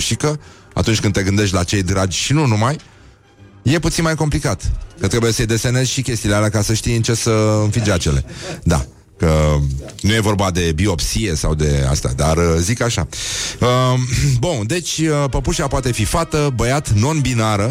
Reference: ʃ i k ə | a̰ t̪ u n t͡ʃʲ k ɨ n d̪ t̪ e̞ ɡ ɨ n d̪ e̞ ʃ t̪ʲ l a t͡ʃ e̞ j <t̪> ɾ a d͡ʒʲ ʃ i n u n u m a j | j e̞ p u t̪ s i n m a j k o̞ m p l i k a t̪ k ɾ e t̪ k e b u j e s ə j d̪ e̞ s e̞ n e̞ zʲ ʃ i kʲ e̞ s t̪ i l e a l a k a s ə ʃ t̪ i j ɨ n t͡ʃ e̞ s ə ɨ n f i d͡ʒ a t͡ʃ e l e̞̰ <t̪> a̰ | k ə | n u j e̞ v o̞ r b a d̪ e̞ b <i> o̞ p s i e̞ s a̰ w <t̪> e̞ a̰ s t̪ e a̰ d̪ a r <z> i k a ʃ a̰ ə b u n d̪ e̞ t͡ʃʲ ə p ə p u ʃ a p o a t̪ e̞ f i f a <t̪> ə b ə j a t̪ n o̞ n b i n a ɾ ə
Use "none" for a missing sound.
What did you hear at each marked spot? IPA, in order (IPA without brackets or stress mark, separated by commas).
d̪, d̪, i, d̪, z, t̪